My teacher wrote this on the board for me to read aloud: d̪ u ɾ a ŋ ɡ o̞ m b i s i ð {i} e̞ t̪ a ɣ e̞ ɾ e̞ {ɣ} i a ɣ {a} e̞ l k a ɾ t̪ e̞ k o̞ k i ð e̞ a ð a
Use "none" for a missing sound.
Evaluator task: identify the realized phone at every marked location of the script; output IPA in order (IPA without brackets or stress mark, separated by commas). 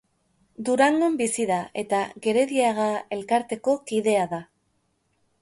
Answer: a, ð, a